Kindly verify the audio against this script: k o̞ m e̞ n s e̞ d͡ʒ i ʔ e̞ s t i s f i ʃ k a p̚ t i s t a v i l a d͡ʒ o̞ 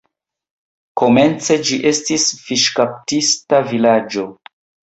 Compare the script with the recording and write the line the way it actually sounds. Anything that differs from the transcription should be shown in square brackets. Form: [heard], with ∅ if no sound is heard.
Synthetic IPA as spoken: k o̞ m e̞ n [t͡s] e̞ d͡ʒ i ʔ e̞ s t i s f i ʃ k a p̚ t i s t a v i l a d͡ʒ o̞